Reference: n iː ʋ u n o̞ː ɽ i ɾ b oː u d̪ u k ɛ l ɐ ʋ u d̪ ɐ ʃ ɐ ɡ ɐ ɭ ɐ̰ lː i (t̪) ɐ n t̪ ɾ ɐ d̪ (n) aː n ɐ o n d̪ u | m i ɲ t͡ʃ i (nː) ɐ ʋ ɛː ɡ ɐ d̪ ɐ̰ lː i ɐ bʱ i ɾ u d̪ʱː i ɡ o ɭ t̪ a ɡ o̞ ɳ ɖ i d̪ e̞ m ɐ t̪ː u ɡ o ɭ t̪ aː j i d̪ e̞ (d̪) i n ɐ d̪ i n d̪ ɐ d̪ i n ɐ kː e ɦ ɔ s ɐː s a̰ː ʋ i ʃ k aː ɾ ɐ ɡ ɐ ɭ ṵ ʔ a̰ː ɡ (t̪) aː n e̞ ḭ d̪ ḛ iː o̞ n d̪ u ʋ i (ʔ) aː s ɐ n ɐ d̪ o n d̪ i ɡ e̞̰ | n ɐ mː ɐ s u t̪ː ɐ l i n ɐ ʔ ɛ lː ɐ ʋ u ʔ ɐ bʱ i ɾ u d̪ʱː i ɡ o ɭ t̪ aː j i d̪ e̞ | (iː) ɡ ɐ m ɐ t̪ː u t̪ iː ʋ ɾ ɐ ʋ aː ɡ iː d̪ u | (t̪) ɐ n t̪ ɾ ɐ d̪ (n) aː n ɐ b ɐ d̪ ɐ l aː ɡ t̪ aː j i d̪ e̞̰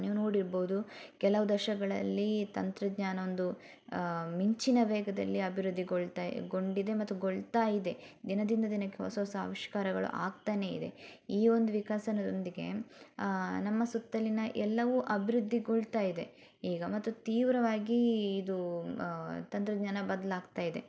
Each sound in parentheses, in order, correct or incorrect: correct, incorrect, incorrect, correct, correct, incorrect, correct, correct, incorrect

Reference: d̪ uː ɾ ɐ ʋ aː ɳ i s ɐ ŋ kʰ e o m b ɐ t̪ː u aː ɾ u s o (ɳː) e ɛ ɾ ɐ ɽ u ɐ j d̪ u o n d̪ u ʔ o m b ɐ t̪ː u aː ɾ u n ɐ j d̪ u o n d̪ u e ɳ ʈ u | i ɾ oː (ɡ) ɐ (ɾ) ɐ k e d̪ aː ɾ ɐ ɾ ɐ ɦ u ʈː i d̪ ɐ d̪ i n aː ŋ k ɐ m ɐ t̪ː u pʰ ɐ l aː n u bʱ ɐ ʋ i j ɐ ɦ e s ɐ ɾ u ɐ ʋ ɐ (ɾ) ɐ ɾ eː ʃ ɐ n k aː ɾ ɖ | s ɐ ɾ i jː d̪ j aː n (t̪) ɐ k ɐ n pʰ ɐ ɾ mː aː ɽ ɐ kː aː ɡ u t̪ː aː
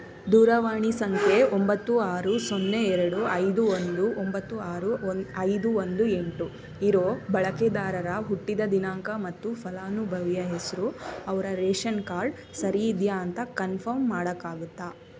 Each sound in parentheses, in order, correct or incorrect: incorrect, incorrect, incorrect, correct, correct

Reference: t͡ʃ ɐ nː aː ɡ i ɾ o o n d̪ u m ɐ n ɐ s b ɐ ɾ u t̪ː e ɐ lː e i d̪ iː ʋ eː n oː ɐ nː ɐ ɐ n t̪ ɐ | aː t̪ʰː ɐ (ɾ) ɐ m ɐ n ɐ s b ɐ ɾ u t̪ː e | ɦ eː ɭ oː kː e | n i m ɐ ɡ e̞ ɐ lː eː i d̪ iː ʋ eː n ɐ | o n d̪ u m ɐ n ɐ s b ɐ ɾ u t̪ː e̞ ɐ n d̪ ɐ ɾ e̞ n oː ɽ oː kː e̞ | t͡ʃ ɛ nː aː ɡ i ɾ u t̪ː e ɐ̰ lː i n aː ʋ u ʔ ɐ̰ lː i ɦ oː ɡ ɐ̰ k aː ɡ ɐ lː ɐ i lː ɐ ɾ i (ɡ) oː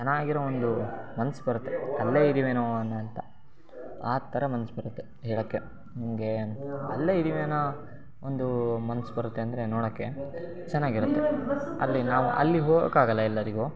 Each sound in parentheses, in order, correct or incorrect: correct, correct

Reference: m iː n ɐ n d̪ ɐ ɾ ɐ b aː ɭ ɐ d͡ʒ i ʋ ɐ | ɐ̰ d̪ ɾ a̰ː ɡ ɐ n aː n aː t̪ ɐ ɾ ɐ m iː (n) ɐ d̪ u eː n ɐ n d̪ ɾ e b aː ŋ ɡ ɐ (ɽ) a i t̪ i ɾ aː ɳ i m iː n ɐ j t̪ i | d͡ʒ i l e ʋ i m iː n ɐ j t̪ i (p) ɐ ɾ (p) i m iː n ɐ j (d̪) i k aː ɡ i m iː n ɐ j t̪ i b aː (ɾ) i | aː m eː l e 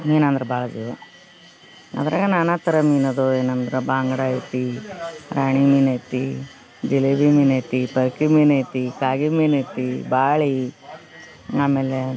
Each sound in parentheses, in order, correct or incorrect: correct, correct, correct, incorrect, incorrect, incorrect

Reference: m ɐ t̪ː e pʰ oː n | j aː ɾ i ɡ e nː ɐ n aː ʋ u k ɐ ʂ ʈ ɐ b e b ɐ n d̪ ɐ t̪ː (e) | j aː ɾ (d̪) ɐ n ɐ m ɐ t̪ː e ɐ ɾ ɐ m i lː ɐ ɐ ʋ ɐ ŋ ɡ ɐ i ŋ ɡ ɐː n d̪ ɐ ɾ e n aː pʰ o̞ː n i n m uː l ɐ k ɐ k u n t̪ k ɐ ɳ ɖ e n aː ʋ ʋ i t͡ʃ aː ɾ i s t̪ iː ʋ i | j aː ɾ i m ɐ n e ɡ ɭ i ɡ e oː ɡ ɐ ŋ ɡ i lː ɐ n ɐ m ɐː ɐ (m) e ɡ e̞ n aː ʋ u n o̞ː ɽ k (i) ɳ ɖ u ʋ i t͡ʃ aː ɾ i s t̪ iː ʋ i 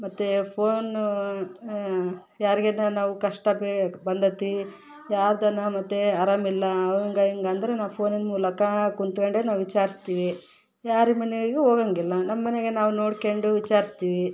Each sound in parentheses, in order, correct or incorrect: incorrect, correct, incorrect, incorrect

